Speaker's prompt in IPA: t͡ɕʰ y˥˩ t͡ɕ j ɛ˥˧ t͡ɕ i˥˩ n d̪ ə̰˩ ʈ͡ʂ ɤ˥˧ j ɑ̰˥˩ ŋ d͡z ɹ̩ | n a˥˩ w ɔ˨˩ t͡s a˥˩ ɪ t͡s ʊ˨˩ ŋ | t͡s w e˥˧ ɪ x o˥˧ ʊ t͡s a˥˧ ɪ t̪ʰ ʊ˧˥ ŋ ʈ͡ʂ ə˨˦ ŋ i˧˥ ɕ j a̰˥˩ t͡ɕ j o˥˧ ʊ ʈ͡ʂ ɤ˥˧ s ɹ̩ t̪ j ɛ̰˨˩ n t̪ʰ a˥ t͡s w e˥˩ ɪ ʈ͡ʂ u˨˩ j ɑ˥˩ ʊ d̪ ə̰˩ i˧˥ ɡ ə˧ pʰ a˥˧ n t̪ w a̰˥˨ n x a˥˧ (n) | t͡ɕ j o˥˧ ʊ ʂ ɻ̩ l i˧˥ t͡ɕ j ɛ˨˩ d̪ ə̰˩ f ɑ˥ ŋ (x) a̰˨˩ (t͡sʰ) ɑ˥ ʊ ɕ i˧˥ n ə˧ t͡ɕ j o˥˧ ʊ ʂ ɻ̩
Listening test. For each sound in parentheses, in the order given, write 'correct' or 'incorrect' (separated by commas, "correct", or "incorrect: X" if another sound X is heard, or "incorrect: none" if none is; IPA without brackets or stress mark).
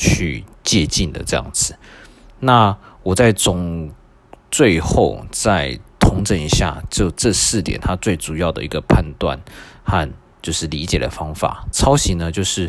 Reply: correct, incorrect: f, correct